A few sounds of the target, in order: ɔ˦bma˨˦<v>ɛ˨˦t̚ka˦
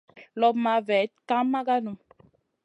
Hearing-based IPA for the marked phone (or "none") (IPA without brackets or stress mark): v